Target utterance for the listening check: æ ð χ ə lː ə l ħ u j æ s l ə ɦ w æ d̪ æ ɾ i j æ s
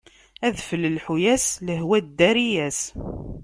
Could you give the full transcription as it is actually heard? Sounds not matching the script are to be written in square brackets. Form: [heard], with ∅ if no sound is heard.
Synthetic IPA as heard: æ ð [f] ə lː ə l ħ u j æ s l ə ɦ w æ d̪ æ ɾ i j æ s